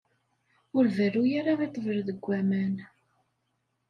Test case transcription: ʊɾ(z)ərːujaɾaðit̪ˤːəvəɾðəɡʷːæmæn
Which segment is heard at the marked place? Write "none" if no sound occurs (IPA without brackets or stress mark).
v